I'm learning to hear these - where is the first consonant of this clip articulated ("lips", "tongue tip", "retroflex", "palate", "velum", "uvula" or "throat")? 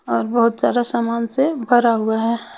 tongue tip